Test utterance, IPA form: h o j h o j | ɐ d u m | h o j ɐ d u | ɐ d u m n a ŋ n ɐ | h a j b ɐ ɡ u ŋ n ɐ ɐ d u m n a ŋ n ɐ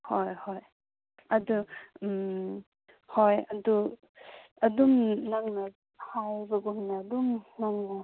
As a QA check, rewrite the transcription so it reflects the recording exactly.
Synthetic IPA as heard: h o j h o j | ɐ d u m | h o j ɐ d u | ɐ d u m n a ŋ n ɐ | h a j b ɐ ɡ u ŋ n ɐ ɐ d u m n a ŋ n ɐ